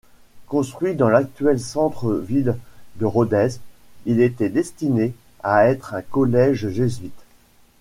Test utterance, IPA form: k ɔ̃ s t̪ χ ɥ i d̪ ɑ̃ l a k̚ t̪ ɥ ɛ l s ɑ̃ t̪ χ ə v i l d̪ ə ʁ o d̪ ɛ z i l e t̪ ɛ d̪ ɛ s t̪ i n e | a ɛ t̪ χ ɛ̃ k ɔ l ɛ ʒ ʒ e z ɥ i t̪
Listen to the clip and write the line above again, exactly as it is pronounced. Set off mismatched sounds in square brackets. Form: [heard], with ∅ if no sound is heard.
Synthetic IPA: k ɔ̃ s t̪ χ ɥ i d̪ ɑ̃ l a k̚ t̪ ɥ ɛ l s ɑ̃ t̪ χ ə v i l d̪ ə ʁ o d̪ ɛ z i l e t̪ ɛ d̪ ɛ s t̪ i n e | a ɛ t̪ χ ɛ̃ k ɔ l ɛ ʒ ʒ e z ɥ i t̪